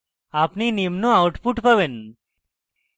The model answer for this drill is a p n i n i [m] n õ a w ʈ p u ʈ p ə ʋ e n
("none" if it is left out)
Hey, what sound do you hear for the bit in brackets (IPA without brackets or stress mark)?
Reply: m